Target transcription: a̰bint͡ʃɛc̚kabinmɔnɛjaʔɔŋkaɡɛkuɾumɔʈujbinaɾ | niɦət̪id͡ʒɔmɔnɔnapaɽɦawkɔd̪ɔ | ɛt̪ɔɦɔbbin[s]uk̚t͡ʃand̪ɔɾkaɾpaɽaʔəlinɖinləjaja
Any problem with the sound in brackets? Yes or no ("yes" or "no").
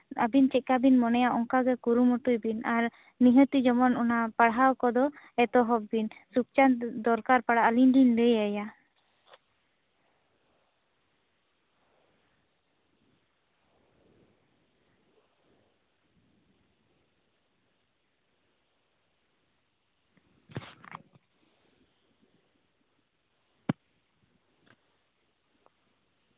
no